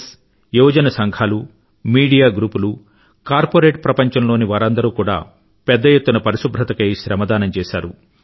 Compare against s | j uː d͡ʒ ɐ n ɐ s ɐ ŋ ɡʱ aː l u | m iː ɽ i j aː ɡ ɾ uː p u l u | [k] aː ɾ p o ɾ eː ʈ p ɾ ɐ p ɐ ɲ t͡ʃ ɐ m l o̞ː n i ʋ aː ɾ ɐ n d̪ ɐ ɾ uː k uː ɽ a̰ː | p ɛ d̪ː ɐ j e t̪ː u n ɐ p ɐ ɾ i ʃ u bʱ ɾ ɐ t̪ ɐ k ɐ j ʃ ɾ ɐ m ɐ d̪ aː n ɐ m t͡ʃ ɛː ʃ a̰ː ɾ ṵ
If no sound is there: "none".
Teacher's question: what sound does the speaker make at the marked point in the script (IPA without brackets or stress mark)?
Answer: k